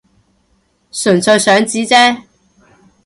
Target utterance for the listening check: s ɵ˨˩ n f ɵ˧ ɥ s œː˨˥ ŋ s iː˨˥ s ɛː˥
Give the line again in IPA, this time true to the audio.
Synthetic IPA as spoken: s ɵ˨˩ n s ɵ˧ ɥ s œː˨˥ ŋ t͡s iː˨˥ t͡s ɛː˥